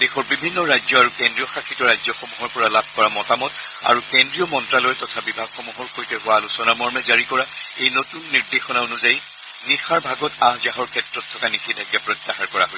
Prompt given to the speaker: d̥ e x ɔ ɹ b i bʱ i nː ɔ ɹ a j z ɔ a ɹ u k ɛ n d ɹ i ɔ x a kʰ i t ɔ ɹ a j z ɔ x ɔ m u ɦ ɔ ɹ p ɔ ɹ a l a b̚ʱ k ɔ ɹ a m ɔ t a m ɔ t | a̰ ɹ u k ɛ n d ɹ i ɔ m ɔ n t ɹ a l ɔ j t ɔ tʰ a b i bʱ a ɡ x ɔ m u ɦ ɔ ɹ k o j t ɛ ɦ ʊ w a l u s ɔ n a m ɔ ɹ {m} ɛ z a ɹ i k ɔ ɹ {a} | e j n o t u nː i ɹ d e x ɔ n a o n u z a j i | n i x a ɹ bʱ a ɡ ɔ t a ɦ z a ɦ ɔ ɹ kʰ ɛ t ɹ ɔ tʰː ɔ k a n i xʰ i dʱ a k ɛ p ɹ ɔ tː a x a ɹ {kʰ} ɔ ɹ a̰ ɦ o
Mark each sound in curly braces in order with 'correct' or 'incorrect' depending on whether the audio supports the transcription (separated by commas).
correct, correct, incorrect